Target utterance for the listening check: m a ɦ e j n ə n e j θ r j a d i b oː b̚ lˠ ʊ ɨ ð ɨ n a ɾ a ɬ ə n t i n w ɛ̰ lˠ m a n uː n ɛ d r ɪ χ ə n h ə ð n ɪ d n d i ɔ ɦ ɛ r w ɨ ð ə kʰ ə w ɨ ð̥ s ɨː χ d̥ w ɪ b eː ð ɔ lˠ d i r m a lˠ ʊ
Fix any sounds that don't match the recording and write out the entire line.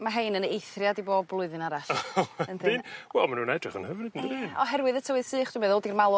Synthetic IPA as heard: m a ɦ e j n ə n e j θ r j a d i b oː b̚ lˠ ʊ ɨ ð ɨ n a ɾ a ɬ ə n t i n w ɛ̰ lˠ m a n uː n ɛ d r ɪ χ ə n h ə v n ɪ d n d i ɔ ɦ ɛ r w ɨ ð ə tʰ ə w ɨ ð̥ s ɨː χ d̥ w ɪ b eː ð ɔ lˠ d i r m a lˠ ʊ